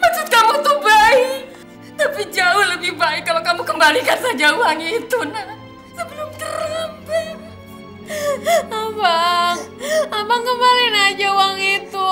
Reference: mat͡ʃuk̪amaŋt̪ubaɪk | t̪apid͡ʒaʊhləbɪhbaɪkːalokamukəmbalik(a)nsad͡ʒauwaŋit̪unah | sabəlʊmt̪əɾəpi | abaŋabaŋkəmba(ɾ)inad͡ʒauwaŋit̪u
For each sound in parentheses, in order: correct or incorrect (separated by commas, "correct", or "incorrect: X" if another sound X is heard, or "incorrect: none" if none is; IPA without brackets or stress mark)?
correct, incorrect: l